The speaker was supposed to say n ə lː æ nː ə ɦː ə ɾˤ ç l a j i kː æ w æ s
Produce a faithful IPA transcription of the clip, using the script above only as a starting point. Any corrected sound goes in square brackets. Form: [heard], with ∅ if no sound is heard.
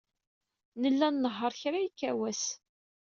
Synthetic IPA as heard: n ə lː æ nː ə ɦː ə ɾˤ ç [ɾ] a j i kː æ w æ s